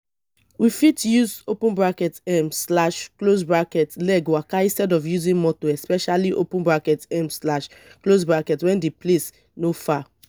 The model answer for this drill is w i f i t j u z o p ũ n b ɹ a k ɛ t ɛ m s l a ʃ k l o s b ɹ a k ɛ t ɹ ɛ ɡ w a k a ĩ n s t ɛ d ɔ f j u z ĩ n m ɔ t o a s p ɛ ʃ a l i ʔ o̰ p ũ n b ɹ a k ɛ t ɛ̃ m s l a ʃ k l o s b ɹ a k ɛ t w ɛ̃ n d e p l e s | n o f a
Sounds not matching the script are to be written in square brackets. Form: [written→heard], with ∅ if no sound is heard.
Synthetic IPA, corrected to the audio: w i f i t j u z o p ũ n b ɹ a k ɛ t ɛ m s l a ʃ k l o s b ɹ a k ɛ t [ɹ→l] ɛ ɡ w a k a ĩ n s t ɛ d ɔ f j u z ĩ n m ɔ t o [a→ɛ] s p ɛ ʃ a l i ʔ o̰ p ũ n b ɹ a k ɛ t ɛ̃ m s l a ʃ k l o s b ɹ a k ɛ t w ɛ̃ n d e p l e s | n o f a